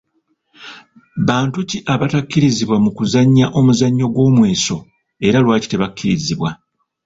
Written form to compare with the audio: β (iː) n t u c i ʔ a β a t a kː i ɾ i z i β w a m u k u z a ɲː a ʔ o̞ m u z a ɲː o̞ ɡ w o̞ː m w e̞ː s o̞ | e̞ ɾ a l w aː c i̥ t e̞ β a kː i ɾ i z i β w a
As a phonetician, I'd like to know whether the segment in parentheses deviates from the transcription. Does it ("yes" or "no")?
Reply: yes